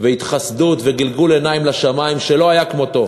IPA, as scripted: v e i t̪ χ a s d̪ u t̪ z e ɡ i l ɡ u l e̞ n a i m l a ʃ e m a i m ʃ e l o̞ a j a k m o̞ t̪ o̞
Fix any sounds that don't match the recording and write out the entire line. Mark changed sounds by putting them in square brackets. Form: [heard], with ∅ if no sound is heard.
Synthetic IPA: v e i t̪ χ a s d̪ u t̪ [v] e ɡ i l ɡ u l e̞ n a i m l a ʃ [a] m a i m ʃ e l o̞ a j a k m o̞ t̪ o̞